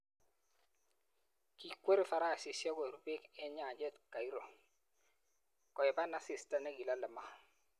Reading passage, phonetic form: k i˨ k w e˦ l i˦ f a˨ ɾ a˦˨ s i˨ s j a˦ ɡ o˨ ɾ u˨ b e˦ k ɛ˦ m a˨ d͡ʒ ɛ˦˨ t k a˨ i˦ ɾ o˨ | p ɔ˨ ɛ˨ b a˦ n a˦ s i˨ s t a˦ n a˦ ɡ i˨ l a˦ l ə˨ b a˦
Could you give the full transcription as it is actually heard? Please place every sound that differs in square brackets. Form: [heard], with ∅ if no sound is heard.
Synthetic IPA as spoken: k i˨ k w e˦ [ɾ] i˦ f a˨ ɾ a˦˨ s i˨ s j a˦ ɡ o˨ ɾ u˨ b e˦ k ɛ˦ [ɲ] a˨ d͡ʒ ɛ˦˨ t k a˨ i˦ ɾ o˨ | [k] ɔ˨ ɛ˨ b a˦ n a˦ s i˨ s t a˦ n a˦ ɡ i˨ l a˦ l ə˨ [m] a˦